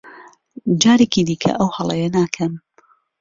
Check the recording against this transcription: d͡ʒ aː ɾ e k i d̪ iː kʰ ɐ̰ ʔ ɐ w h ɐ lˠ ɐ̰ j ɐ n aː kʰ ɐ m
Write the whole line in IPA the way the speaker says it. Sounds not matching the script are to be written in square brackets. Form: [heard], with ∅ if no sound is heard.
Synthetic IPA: d͡ʒ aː ɾ e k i d̪ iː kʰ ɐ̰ ʔ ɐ w h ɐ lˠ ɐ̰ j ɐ n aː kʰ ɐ m